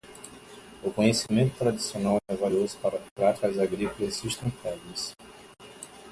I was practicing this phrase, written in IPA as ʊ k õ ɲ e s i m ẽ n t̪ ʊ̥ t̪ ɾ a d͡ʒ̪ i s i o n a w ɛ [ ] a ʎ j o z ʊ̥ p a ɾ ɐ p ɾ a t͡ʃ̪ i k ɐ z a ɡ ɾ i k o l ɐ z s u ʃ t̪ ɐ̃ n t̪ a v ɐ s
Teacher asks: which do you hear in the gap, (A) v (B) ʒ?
A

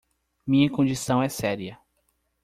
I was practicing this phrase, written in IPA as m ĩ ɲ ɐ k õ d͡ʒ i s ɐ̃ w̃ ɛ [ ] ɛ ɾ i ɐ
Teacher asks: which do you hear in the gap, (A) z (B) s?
B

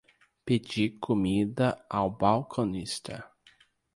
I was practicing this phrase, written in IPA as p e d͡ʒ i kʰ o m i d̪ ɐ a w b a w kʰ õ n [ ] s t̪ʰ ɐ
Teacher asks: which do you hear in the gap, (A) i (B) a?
A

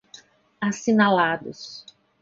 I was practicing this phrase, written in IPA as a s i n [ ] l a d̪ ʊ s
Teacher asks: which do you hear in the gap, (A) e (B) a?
B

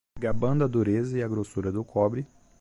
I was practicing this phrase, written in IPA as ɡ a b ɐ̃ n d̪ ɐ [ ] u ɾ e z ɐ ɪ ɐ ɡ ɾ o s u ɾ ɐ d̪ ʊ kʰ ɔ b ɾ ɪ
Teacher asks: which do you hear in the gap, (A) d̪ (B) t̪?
A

